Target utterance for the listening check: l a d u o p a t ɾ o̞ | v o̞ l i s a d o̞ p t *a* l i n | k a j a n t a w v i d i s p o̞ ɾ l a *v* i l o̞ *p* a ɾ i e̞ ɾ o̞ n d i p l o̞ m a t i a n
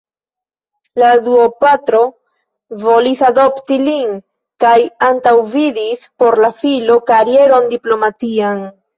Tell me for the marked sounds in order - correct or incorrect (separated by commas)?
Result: incorrect, incorrect, incorrect